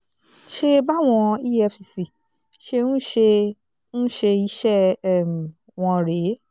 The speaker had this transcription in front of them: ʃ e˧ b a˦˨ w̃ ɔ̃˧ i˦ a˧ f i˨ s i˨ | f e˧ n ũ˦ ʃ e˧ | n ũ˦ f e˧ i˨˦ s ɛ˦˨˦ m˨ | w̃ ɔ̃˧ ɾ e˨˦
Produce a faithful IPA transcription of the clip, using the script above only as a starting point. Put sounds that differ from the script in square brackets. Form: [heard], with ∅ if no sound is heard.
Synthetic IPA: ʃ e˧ b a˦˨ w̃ ɔ̃˧ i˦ [ɛ˧] f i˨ s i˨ | [ʃ] e˧ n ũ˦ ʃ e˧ | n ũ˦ [ʃ] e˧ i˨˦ [ʃ] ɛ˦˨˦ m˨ | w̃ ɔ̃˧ ɾ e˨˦